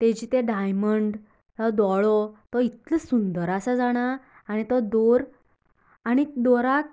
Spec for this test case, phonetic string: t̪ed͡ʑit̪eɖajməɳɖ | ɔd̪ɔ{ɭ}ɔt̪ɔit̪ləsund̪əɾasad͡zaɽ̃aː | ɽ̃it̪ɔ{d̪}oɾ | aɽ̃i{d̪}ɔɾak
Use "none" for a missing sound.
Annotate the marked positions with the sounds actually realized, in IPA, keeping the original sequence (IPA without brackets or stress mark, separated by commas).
ɭ, d̪, d̪